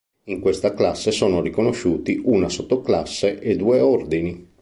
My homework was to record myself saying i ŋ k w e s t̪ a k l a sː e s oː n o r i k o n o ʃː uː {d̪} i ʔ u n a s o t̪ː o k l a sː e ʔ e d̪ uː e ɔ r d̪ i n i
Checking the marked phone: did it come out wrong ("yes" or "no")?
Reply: yes